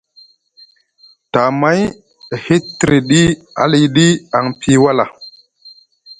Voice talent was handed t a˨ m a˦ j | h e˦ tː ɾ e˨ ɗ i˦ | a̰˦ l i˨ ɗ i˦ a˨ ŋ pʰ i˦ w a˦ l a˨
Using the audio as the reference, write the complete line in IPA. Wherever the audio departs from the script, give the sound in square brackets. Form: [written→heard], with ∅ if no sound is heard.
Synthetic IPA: t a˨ m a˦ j | h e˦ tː ɾ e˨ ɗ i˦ | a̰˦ l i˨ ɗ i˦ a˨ ŋ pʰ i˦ w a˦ l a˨